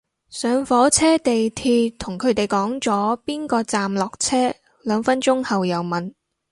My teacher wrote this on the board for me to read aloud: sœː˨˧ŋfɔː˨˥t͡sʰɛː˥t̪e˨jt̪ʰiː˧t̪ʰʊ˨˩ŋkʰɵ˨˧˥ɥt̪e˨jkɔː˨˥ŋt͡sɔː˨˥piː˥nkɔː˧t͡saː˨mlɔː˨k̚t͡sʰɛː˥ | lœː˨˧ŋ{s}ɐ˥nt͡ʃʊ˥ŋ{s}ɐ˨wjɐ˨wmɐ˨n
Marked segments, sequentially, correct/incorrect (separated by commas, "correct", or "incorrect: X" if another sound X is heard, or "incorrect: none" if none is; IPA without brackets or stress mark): incorrect: f, incorrect: h